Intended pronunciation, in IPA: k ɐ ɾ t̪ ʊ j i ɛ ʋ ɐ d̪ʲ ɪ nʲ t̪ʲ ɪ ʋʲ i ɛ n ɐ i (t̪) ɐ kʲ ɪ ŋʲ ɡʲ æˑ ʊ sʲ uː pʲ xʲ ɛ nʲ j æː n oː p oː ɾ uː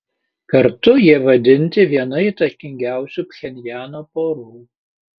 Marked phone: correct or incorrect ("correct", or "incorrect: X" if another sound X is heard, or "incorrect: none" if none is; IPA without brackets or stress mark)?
correct